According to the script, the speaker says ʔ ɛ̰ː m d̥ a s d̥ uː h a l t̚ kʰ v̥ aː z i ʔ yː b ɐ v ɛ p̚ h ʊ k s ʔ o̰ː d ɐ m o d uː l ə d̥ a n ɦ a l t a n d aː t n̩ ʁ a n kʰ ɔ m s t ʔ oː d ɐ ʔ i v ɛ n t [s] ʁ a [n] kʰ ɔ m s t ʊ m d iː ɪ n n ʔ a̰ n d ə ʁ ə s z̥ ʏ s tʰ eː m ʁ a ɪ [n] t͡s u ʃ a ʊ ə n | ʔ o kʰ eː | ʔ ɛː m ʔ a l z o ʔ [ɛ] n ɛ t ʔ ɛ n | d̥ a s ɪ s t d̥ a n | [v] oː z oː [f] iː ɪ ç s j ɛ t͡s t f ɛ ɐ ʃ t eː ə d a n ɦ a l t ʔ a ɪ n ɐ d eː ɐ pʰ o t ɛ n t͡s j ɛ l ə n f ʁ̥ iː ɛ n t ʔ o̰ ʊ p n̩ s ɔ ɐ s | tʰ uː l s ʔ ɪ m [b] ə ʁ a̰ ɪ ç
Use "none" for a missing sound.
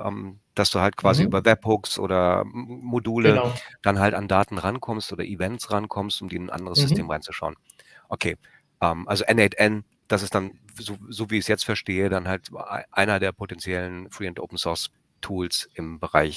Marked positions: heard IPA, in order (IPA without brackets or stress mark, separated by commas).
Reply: s, n, n, ɛ, z, v, b